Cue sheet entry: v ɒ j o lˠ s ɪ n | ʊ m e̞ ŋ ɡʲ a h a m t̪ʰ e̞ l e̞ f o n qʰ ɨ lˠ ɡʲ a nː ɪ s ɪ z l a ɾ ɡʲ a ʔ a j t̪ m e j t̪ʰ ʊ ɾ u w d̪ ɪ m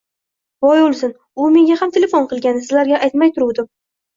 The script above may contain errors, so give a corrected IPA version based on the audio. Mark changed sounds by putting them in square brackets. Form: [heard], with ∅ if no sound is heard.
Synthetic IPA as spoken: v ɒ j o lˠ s ɪ n | ʊ m e̞ ŋ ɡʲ a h a m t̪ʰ e̞ l e̞ f o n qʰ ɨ lˠ ɡʲ a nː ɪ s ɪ z l a ɾ ɡʲ a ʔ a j t̪ m [a] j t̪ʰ ʊ ɾ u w d̪ ɪ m